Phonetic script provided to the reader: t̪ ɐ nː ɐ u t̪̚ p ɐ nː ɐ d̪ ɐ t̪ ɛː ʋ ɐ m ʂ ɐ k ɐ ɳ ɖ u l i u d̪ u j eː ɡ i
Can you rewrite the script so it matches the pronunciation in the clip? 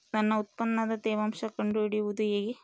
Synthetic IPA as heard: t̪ ɐ nː ɐ u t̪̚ p ɐ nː ɐ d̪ ɐ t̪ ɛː ʋ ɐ m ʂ ɐ k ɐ ɳ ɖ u ɽ i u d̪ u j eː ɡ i